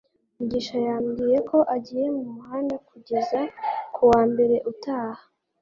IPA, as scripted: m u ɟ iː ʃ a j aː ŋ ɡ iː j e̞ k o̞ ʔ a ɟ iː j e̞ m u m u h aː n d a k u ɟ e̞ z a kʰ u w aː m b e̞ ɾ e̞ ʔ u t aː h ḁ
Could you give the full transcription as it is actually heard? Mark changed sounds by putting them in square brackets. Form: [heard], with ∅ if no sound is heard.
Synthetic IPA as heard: m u ɟ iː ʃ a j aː [m] ɡ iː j e̞ k o̞ ʔ a ɟ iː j e̞ m u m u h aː n d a k u ɟ e̞ z a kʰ u w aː m b e̞ ɾ e̞ ʔ u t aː h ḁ